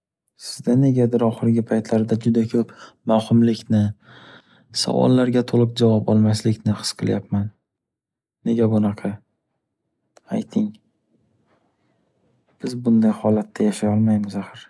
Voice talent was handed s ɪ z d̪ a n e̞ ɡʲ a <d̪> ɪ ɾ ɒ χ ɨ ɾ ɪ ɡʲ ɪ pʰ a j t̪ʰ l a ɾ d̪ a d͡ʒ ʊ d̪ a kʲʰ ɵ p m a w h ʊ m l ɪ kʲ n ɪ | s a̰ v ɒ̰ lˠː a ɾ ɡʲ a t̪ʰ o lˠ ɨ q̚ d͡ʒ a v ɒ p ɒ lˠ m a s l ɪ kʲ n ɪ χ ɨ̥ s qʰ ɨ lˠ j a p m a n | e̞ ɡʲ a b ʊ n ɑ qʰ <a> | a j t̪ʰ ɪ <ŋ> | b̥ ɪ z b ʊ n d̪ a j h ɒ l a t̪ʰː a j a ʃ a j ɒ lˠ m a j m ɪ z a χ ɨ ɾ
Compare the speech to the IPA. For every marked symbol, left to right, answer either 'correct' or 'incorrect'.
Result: correct, incorrect, correct

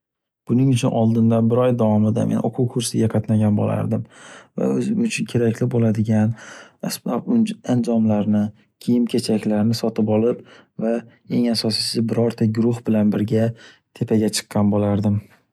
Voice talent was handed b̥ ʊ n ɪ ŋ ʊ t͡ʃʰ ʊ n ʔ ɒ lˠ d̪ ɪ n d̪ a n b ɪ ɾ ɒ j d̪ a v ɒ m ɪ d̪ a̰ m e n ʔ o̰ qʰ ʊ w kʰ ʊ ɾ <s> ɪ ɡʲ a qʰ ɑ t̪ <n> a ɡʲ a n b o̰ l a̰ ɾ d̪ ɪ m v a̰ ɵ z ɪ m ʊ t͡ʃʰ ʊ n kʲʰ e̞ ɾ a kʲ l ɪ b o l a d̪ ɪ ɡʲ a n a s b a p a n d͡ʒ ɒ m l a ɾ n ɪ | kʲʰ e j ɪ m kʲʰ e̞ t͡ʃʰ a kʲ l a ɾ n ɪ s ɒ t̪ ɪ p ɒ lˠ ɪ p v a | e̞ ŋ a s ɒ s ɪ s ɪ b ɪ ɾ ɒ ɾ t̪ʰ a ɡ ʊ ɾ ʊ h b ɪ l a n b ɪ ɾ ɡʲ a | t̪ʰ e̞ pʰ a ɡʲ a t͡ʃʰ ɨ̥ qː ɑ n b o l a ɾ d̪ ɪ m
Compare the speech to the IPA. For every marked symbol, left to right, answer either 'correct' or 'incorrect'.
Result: correct, correct

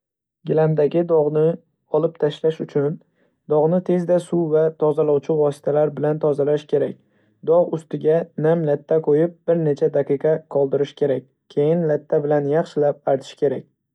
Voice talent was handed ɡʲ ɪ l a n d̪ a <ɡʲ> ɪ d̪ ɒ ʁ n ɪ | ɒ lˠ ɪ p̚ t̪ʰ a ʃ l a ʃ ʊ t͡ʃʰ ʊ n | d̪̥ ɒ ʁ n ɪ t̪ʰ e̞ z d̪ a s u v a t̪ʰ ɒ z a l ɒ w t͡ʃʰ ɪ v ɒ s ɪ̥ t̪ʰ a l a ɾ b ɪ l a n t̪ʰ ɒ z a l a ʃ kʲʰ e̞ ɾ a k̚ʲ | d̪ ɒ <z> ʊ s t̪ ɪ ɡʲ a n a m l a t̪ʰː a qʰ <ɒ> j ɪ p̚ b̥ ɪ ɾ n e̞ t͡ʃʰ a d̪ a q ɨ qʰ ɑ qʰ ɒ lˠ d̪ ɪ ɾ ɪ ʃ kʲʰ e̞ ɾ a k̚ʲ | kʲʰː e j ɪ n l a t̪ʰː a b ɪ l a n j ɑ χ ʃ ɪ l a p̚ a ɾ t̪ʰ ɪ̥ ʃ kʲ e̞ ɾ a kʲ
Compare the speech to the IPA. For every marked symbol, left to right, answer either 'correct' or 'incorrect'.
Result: correct, incorrect, incorrect

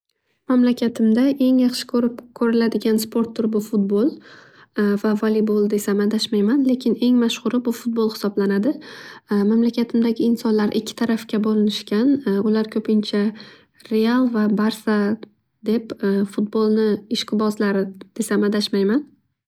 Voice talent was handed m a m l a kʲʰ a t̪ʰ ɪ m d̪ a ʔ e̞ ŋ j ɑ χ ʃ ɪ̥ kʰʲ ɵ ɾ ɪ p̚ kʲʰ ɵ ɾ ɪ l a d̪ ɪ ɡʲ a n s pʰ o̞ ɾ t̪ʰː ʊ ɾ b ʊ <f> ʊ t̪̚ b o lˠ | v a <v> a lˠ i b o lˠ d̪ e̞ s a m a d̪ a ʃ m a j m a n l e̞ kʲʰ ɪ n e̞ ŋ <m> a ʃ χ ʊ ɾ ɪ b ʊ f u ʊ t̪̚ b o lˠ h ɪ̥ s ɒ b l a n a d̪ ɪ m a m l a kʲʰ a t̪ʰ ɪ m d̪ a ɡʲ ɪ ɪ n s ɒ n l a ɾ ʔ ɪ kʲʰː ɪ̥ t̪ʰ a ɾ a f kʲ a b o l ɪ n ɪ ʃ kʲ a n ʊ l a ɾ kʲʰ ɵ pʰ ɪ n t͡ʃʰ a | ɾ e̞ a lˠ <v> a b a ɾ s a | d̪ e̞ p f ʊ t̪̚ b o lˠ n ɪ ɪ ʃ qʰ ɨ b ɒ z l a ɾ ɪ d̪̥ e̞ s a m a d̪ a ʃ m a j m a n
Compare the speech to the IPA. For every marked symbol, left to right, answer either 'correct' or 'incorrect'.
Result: correct, correct, correct, correct

